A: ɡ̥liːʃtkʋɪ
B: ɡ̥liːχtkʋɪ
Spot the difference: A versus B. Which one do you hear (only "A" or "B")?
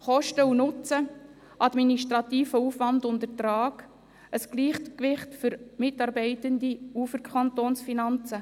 B